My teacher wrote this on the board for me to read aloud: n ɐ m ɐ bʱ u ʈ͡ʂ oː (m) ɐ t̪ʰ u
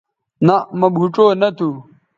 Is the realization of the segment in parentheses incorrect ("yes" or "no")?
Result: yes